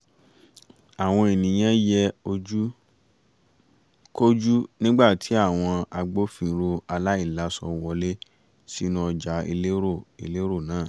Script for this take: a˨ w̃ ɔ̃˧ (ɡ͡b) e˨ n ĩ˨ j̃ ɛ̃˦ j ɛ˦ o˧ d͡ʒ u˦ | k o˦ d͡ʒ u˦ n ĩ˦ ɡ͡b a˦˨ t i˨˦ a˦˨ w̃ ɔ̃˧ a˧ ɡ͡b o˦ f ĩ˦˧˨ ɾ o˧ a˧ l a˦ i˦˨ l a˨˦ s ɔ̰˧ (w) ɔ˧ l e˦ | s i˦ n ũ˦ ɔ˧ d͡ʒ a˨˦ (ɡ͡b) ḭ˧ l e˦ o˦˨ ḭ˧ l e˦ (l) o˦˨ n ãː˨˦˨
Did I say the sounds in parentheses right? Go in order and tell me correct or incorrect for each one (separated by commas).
incorrect, correct, incorrect, incorrect